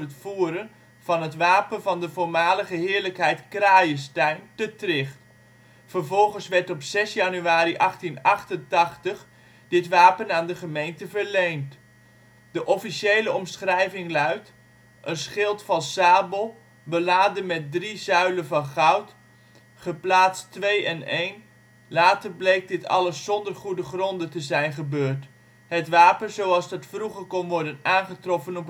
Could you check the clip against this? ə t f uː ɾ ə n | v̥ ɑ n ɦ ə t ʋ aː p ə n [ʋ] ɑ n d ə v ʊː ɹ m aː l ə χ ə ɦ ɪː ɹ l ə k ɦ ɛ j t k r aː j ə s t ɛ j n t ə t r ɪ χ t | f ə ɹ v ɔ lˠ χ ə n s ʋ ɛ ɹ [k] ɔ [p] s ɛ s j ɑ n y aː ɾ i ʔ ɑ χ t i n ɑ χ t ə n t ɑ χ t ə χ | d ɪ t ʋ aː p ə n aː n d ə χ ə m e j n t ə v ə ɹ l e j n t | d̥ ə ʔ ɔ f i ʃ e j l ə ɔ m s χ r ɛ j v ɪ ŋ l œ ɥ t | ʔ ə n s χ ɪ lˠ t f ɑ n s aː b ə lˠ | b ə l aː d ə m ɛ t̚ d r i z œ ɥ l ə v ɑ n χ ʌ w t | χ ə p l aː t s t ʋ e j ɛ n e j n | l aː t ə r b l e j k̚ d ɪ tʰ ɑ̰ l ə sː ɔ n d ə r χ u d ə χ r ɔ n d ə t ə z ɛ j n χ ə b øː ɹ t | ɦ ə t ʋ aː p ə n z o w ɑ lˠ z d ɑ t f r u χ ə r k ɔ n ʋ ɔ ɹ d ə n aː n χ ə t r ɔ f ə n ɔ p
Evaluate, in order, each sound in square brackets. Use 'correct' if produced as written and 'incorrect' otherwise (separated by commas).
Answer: incorrect, incorrect, correct